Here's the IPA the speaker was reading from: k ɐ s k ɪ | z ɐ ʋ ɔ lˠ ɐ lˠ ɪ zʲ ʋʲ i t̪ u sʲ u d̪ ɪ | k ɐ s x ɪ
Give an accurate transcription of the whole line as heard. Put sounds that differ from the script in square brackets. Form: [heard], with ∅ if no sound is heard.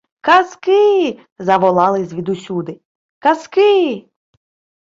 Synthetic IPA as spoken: k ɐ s k ɪ | z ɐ ʋ ɔ lˠ [ɑ] lˠ ɪ zʲ ʋʲ i [d̪] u sʲ u d̪ ɪ | k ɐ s [k] ɪ